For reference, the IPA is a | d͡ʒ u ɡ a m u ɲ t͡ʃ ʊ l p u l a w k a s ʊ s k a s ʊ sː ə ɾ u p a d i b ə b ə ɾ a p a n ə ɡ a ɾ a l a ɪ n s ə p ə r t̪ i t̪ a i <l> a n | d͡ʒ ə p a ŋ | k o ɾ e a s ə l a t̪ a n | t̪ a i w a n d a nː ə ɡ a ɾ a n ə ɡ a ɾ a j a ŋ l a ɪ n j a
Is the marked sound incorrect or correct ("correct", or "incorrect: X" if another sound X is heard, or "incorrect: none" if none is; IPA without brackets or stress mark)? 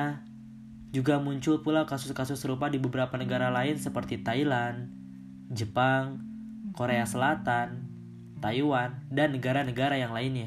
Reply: correct